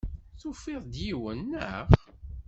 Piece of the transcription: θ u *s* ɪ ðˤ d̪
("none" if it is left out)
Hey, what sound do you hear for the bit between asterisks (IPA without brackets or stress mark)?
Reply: f